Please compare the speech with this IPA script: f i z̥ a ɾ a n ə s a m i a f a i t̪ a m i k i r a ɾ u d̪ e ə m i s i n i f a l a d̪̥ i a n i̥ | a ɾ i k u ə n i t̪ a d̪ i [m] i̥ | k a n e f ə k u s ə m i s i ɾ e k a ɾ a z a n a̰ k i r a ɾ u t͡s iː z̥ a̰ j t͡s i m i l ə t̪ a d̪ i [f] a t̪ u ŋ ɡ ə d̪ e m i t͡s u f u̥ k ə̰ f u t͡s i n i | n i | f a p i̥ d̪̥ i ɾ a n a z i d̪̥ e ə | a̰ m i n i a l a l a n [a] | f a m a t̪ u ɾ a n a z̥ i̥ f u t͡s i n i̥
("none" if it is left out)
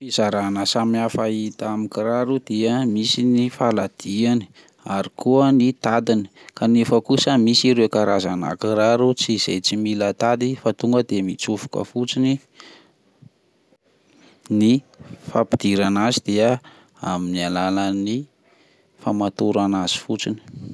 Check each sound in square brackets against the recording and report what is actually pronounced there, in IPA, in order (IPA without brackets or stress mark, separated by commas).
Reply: n, f, i